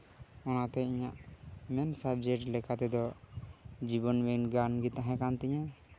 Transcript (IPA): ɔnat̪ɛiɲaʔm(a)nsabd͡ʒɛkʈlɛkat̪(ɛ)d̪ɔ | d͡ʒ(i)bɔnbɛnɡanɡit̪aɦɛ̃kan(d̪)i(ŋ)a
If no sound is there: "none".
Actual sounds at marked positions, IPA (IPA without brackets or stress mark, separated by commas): ɛ, ɛ, i, t̪, ɲ